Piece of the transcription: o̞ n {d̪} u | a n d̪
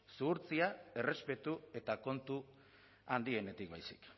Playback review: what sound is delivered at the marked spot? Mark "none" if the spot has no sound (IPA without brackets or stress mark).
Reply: t̪